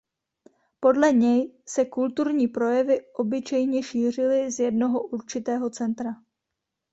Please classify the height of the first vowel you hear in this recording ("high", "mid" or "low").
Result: mid